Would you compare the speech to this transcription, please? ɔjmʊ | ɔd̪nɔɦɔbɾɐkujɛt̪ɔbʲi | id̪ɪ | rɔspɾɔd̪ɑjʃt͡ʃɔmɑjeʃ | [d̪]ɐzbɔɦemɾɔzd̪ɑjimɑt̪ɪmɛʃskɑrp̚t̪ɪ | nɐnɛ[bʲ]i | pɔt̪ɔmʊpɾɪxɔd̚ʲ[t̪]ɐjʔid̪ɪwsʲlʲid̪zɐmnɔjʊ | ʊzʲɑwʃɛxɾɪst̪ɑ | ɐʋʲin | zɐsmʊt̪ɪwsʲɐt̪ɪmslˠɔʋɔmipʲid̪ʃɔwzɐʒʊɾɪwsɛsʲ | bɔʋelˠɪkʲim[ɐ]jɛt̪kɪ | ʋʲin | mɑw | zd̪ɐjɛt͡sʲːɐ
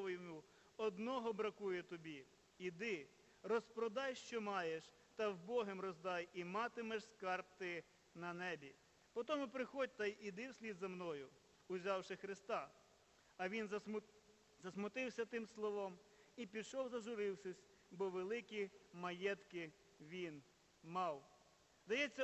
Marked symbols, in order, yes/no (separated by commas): no, yes, yes, yes